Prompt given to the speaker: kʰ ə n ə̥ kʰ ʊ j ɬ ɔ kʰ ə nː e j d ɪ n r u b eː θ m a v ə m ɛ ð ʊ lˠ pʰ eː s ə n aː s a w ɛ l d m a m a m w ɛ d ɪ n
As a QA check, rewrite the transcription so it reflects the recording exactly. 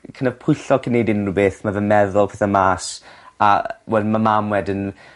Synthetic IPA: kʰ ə n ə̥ pʰ ʊ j ɬ ɔ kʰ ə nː e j d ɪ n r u b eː θ m a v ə m ɛ ð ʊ lˠ pʰ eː θ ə m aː s a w ɛ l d m a m a m w ɛ d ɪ n